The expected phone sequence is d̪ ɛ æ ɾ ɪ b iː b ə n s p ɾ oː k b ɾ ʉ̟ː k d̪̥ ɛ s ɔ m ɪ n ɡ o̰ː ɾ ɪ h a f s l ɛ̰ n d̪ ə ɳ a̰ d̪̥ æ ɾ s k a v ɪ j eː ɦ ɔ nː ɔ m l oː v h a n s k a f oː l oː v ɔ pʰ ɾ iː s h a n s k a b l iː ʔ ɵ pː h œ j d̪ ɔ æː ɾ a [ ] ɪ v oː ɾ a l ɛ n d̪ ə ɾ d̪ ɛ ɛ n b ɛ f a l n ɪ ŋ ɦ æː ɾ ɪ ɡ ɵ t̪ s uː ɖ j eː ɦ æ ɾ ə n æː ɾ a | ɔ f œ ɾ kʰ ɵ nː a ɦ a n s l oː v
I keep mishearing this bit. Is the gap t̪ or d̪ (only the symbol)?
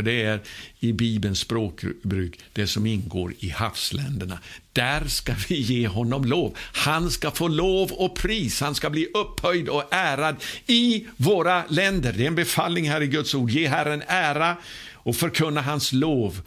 d̪